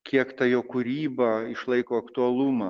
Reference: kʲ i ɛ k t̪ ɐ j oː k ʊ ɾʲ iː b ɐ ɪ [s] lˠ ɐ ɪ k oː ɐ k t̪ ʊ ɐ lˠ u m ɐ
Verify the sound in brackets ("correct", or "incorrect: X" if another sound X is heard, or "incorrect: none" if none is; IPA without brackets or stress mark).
incorrect: ʃ